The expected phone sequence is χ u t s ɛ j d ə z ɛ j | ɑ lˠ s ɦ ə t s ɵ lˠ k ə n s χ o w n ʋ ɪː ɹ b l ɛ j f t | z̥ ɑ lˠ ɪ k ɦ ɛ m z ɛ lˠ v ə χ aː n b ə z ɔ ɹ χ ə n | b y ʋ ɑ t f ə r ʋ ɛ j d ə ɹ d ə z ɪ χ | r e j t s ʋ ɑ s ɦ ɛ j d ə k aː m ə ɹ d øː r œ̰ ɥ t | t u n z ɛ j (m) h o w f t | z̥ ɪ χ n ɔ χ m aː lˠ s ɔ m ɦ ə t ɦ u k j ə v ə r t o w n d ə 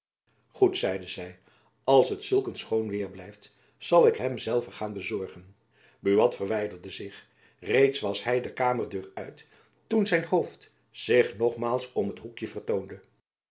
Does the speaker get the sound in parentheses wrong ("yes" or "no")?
yes